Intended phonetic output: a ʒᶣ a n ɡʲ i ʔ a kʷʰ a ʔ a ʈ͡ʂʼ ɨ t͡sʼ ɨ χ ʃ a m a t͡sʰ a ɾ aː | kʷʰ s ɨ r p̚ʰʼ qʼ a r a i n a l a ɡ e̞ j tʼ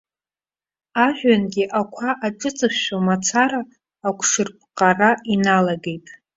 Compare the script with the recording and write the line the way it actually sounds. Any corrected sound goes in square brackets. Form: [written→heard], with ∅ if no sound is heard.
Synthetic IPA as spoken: a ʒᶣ a n ɡʲ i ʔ a kʷʰ a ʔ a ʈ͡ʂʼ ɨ t͡sʼ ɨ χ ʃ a m a t͡sʰ a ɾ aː | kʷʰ [s→ʂ] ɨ r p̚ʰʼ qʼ a r a i n a l a ɡ e̞ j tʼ